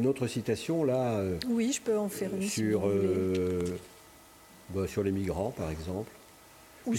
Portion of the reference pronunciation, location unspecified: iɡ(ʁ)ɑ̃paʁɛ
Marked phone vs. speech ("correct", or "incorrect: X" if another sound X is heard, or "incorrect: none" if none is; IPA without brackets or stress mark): correct